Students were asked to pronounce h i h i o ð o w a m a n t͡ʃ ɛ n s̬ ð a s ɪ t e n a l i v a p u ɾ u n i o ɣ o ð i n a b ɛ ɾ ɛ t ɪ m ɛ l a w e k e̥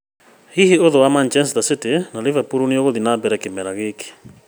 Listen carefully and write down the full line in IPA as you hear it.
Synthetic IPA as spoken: h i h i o ð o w a m a n t͡ʃ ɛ n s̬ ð a s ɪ t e n a l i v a p u ɾ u n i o ɣ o ð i n a b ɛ ɾ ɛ k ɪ m ɛ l a ɣ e k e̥

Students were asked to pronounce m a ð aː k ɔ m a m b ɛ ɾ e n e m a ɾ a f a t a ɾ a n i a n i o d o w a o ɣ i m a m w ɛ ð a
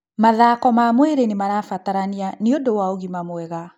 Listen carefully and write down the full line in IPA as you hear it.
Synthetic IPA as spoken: m a ð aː k ɔ m a m w ɛ ɾ e n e m a ɾ a f a t a ɾ a n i a n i o d o w a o ɣ i m a m w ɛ ɣ a

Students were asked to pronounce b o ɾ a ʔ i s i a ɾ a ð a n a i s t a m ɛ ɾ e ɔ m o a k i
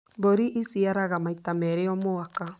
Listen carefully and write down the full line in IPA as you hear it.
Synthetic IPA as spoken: b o ɾ i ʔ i s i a ɾ a ɣ a m a i t a m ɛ ɾ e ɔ m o a k a

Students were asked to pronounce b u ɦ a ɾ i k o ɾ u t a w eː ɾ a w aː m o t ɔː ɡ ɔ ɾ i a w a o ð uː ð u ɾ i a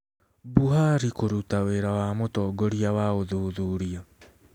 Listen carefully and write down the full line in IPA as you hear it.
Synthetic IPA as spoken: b u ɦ a ɾ i k o ɾ u t a w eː ɾ a w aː m o t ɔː ɡ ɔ ɾ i a w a o ð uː ð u ɾ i a

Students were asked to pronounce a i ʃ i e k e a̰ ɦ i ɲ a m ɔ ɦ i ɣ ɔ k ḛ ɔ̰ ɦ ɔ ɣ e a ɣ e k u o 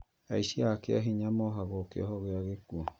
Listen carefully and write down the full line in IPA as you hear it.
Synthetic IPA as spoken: a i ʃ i a k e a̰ ɦ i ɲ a m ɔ ɦ a ɣ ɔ k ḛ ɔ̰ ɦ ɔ ɣ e a ɣ e k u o

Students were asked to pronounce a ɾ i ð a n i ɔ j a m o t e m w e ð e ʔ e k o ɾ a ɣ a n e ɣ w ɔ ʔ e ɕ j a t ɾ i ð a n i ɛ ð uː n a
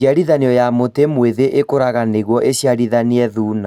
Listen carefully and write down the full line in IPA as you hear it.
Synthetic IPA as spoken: a ɾ i ð a n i ɔ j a m o t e m w e ð e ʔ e k o ɾ a ɣ a n e ɣ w ɔ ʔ e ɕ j a ɾ i ð a n i ɛ ð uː n a

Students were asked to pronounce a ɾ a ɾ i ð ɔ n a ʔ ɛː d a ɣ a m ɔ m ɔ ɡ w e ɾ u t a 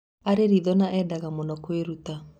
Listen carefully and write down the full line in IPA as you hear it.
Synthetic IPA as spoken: a ɾ e ɾ i ð ɔ n a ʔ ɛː d a ɣ a m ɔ n ɔ k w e ɾ u t a

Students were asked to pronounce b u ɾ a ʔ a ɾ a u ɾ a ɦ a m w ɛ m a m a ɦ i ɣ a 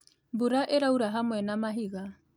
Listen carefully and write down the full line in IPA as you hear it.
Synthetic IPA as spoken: b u ɾ a ʔ e ɾ a u ɾ a ɦ a m w ɛ n a m a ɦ i ɣ a

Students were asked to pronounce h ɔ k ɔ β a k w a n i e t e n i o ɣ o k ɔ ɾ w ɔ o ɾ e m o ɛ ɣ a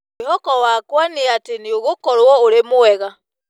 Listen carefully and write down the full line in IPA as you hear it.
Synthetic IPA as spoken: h ɔ k ɔ w a k w a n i a t e n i o ɣ o k ɔ ɾ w ɔ o ɾ e m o ɛ ɣ a

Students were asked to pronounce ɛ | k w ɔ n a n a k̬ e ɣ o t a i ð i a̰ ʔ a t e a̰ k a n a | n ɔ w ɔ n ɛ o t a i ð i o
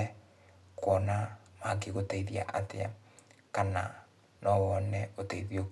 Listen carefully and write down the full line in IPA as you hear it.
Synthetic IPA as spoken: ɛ | k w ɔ n a m a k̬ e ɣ o t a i ð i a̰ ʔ a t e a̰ k a n a | n ɔ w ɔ n ɛ o t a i ð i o

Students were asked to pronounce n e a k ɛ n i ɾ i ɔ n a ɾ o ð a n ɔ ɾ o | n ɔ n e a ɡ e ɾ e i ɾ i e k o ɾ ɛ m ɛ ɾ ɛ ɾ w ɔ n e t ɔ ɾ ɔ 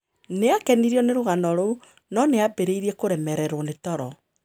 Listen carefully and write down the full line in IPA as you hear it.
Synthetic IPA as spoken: n e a k ɛ n i ɾ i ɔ n e ɾ o ɣ a n ɔ ɾ o | n ɔ n e a b e ɾ e i ɾ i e k o ɾ ɛ m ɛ ɾ ɛ ɾ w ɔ n e t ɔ ɾ ɔ

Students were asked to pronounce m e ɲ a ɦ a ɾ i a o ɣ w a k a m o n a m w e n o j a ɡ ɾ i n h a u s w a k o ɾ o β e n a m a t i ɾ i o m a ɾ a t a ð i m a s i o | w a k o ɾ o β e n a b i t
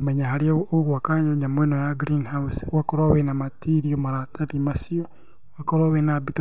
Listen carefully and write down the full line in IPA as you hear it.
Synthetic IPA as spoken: m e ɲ a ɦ a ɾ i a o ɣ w a k a ɲ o ɲ a m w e n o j a ɡ ɾ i n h a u s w a k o ɾ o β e n a m a t i ɾ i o m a ɾ a t a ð i m a s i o | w a k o ɾ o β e n a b i t

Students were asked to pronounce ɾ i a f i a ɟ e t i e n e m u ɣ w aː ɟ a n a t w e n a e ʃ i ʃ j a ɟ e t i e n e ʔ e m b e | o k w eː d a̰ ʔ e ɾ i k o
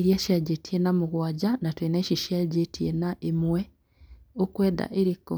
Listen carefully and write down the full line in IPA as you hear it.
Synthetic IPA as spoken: ɾ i a ʃ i a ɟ e t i e n a m u ɣ w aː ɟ a n a t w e n a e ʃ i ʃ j a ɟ e t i e n a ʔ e m w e | o k w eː d a̰ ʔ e ɾ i k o

